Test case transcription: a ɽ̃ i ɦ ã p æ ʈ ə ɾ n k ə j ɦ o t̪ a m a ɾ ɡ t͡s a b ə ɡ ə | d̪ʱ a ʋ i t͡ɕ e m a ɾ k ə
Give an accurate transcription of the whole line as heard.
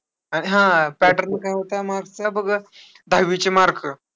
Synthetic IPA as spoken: a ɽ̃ i ɦ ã p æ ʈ ə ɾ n k a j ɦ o t̪ a m a ɾ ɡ t͡s a b ə ɡ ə | d̪ʱ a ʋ i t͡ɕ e m a ɾ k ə